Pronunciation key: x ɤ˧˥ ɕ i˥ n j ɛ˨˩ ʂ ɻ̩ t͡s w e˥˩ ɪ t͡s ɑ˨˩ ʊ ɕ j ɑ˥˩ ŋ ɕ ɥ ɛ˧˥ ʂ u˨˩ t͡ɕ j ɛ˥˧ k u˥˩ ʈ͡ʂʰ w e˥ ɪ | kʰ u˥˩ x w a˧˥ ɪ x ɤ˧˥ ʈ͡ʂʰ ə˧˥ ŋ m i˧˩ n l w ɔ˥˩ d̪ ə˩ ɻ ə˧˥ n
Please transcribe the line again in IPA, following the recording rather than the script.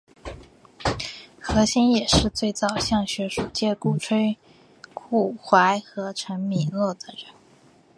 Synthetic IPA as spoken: x ɤ˧˥ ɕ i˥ n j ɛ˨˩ ʂ ɻ̩ t͡s w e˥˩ ɪ t͡s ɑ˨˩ ʊ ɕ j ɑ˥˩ ŋ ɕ ɥ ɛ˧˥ ʂ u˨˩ t͡ɕ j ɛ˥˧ k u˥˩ ʈ͡ʂʰ w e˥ ɪ | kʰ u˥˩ x w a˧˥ ɪ x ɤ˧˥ ʈ͡ʂʰ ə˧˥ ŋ m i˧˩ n l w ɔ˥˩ d̪ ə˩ ɻ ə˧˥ n

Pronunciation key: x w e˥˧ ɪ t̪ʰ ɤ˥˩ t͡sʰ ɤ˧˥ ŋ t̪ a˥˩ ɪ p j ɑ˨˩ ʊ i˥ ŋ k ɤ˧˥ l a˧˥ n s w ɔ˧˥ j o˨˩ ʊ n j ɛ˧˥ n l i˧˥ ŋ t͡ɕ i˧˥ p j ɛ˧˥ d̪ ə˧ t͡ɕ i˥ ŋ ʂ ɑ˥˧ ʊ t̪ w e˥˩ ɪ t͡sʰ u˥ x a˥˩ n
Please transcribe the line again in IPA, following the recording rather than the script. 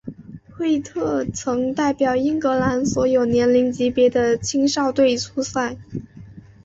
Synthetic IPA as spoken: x w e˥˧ ɪ t̪ʰ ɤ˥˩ t͡sʰ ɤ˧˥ ŋ t̪ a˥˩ ɪ p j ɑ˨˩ ʊ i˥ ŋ k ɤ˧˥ l a˧˥ n s w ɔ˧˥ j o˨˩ ʊ n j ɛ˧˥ n l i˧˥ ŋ t͡ɕ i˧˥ p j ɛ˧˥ d̪ ə˧ t͡ɕʰ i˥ ŋ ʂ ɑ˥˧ ʊ t̪ w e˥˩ ɪ t͡sʰ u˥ s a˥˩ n

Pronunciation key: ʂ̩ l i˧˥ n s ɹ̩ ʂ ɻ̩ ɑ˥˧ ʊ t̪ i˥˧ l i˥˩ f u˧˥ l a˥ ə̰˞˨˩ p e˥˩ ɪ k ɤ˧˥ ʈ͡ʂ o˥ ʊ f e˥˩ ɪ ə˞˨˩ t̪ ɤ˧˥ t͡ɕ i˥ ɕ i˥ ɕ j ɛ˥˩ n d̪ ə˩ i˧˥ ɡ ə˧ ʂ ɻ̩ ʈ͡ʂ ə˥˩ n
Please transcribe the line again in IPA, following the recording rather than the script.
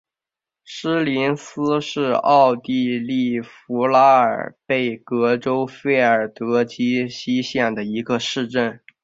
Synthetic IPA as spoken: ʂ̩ l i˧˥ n s ɹ̩ ʂ ɻ̩ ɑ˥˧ ʊ t̪ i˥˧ l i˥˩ f u˧˥ l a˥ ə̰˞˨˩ p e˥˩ ɪ k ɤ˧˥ ʈ͡ʂ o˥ ʊ f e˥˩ ɪ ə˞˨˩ t̪ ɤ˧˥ t͡ɕ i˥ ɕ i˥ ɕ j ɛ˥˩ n d̪ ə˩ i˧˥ ɡ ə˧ ʂ ɻ̩ ʈ͡ʂ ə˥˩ n

